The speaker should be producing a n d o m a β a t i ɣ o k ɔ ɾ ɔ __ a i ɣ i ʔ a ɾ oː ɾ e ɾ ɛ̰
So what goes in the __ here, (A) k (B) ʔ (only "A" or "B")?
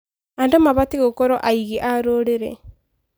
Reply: B